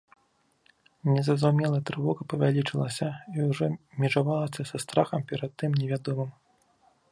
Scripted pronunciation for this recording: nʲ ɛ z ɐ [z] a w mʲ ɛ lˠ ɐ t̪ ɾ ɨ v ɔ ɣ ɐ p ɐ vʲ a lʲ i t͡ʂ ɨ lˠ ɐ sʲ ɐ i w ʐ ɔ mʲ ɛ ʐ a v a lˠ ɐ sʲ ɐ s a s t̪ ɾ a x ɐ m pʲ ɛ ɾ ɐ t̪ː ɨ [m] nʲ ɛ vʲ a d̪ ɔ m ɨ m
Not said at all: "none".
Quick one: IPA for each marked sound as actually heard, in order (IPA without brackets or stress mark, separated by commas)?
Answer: z, m